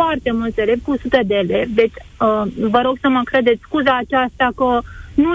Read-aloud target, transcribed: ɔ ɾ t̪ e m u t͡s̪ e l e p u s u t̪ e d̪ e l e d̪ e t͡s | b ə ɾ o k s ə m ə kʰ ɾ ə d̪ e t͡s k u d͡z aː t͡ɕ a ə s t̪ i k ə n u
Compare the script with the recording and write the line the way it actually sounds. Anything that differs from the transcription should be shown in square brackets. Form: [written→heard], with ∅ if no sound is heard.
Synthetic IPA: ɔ ɾ t̪ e m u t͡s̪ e l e p u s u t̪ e d̪ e l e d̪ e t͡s | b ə ɾ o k s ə m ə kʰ ɾ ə d̪ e t͡s k u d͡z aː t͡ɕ a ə s t̪ [i→a] k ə n u